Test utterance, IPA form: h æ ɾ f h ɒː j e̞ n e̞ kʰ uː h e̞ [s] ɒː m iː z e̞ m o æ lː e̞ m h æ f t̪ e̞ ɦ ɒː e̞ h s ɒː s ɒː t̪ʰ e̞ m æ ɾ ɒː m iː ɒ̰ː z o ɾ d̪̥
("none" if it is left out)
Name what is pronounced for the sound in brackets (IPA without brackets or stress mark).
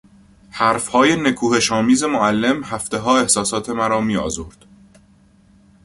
ʃ